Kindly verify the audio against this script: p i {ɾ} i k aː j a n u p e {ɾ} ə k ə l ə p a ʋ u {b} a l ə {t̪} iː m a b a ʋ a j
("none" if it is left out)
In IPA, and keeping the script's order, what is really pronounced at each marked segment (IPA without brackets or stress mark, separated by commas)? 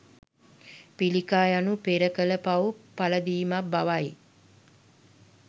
l, ɾ, p, d̪